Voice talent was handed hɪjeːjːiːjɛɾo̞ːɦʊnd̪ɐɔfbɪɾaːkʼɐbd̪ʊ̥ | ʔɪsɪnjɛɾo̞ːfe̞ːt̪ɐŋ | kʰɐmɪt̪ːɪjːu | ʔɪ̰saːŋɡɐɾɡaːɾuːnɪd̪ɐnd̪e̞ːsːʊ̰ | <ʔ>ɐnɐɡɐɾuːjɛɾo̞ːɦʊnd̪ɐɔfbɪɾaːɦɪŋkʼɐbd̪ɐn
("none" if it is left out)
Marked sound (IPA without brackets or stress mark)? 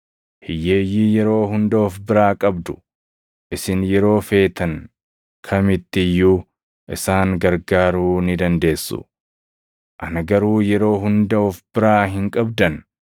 ʔ